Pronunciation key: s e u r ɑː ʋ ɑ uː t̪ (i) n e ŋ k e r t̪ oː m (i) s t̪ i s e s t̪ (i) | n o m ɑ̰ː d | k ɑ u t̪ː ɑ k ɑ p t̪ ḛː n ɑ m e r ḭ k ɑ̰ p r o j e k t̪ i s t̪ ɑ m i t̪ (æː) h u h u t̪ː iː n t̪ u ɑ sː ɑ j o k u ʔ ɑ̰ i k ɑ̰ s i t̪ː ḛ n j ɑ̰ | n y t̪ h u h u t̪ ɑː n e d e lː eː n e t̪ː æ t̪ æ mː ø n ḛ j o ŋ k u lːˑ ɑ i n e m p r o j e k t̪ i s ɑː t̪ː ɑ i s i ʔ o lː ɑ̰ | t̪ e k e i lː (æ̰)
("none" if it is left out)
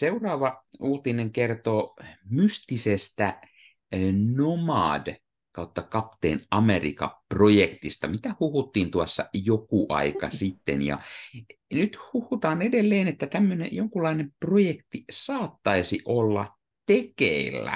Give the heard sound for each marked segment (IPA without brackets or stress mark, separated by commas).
i, y, æ, æ, æ̰